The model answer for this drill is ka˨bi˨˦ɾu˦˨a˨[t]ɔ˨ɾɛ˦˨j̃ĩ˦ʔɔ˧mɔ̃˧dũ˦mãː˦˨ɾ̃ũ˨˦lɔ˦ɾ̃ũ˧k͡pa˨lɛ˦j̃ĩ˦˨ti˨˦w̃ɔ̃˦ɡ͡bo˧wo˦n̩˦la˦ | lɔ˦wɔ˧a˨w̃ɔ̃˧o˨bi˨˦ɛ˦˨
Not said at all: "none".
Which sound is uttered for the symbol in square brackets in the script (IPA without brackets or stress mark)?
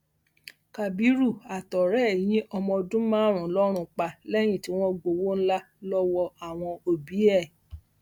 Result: t